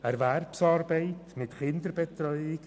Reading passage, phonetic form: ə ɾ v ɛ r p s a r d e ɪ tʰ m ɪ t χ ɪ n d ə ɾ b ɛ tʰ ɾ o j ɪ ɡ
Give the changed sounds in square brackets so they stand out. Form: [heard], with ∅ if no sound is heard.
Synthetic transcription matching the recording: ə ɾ v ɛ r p s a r [b] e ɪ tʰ m ɪ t χ ɪ n d ə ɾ b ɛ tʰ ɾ [ɔ] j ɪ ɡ